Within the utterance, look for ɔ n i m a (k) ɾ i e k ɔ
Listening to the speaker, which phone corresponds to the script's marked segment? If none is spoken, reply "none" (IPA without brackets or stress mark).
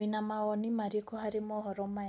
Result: none